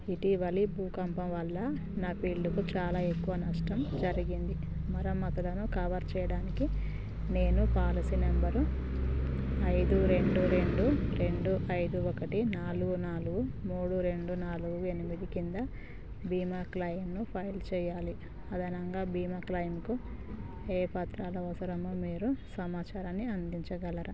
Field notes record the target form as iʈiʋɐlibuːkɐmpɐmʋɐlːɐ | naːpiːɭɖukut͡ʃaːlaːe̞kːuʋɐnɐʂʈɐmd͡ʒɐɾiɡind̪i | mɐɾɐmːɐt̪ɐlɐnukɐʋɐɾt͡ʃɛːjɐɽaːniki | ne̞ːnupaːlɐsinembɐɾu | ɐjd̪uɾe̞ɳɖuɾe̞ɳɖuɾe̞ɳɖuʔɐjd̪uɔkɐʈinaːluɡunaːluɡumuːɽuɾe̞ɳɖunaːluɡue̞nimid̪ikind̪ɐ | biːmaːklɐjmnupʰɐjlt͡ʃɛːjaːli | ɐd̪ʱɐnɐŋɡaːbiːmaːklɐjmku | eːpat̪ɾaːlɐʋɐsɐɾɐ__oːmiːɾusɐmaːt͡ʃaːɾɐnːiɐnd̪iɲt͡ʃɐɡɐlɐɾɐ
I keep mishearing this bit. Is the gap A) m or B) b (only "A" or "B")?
A